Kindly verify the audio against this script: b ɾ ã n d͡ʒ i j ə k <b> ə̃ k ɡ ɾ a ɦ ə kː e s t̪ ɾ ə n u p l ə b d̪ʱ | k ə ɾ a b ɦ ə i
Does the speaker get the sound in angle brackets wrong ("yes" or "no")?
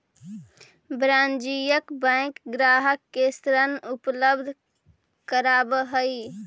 no